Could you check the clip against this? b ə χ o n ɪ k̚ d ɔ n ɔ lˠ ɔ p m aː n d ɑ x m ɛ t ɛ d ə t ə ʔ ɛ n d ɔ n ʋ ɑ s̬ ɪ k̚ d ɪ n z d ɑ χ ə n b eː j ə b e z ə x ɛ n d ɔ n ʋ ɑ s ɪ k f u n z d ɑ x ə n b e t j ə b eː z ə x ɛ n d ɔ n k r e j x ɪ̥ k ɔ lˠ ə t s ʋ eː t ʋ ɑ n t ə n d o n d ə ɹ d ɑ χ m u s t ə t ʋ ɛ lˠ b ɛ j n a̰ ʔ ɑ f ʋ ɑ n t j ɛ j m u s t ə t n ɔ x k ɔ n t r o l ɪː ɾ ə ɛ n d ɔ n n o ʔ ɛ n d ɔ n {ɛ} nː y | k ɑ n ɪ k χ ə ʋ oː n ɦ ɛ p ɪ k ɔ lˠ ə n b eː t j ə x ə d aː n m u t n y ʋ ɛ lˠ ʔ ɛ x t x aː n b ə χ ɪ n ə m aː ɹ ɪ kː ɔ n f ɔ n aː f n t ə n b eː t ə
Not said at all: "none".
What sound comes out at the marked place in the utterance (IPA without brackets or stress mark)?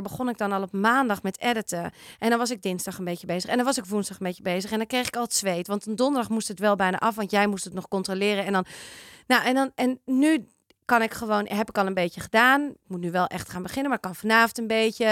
ɛ